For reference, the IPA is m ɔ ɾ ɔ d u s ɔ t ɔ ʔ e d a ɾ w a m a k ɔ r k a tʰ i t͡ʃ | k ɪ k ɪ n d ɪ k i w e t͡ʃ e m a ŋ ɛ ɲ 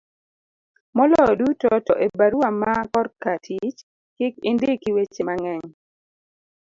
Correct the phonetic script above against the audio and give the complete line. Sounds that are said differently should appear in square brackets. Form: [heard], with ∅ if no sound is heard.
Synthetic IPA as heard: m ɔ [l] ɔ d u [t] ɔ t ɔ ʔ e [b] a ɾ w a m a k ɔ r k a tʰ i t͡ʃ | k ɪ k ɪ n d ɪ k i w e t͡ʃ e m a ŋ ɛ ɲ

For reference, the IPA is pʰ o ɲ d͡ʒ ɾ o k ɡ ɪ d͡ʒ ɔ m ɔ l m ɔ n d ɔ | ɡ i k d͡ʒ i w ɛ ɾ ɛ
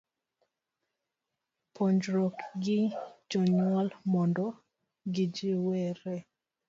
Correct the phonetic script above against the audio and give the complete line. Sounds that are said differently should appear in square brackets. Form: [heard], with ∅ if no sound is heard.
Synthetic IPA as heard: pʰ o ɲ d͡ʒ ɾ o k ɡ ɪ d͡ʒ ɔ [ɲ] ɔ l m ɔ n d ɔ | ɡ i [∅] d͡ʒ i w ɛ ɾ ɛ

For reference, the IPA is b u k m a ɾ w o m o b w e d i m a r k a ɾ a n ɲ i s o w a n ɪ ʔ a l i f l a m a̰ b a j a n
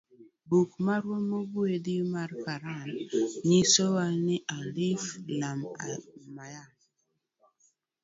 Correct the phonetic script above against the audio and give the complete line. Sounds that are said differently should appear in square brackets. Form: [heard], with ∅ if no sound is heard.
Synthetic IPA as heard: b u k m a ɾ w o m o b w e d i m a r k a ɾ a n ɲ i s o w a n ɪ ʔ a l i f l a m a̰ [m] a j a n

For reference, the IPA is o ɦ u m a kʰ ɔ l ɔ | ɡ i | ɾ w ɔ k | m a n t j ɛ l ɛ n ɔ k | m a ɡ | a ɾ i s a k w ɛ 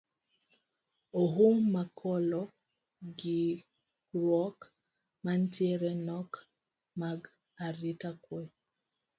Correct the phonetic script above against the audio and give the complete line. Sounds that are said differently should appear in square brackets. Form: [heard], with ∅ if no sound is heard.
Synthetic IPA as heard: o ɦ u m a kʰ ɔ l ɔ | ɡ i | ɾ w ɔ k | m a n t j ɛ [ɾ] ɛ n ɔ k | m a ɡ | a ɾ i [t] a k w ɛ

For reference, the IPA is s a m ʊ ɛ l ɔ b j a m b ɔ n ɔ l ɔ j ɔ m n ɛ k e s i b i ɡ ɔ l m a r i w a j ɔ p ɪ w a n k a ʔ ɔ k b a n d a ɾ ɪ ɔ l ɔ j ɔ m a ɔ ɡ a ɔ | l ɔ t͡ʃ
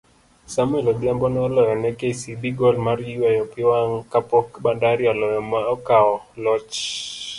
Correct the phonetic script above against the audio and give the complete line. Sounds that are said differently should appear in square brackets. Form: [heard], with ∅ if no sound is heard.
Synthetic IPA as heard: s a m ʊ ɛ l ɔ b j a m b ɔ n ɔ l ɔ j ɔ [∅] n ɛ k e s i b i ɡ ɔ l m a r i w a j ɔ p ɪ w a [ŋ] k a [p] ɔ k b a n d a ɾ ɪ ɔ l ɔ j ɔ m a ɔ [k] a ɔ | l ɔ t͡ʃ

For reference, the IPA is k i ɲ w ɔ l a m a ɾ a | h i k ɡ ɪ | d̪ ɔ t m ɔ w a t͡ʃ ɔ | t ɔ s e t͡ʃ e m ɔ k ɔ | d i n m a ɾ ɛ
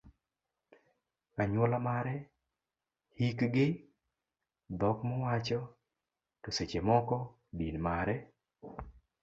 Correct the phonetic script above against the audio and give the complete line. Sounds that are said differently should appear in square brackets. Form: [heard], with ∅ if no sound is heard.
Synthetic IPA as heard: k [a] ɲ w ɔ l a m a ɾ [ɛ] | h i k ɡ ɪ | d̪ ɔ [k] m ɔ w a t͡ʃ ɔ | t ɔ s e t͡ʃ e m ɔ k ɔ | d i n m a ɾ ɛ

